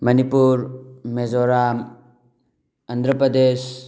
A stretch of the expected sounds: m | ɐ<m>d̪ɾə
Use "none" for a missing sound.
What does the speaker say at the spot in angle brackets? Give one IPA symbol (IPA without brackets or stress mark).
n